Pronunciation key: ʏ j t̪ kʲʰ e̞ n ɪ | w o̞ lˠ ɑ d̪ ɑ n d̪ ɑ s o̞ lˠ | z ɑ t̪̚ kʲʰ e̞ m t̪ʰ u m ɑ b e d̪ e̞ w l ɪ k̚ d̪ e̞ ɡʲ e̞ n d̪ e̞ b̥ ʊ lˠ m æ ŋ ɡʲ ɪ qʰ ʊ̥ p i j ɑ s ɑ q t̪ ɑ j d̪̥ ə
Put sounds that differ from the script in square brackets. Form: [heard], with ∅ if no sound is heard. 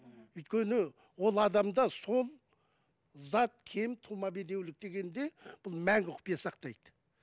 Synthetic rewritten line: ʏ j t̪ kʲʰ e̞ n ɪ | w o̞ lˠ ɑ d̪ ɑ [m] d̪ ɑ s o̞ lˠ | z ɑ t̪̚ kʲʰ e̞ m t̪ʰ u m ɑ b e d̪ e̞ w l ɪ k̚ d̪ e̞ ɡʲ e̞ n d̪ e̞ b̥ ʊ lˠ m æ ŋ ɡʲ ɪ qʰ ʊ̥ p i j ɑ s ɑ q t̪ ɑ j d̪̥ ə